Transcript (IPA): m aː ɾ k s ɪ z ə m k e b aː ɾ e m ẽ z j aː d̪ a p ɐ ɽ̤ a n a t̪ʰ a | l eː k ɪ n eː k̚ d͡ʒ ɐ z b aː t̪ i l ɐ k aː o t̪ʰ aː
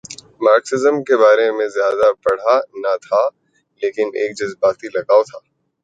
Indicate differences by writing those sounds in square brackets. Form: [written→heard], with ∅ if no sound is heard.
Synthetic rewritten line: m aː ɾ k s ɪ z ə m k e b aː ɾ e m ẽ z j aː d̪ a p ɐ ɽ̤ a n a t̪ʰ a | l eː k ɪ n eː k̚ d͡ʒ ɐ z b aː t̪ i l ɐ [k→ɡ] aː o t̪ʰ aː